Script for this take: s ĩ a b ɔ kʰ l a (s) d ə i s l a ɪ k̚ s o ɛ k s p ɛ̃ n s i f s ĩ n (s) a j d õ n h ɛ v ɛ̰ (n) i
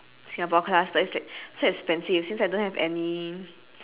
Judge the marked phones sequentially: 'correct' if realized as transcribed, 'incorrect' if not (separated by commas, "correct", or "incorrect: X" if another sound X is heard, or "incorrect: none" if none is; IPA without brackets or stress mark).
correct, correct, correct